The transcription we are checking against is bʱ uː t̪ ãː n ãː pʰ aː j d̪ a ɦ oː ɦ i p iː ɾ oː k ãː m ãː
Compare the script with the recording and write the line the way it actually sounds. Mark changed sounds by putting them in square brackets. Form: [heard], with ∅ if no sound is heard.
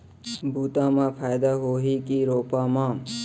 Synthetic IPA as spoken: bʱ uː t̪ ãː [m] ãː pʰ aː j d̪ a ɦ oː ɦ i [k] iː ɾ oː [p] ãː m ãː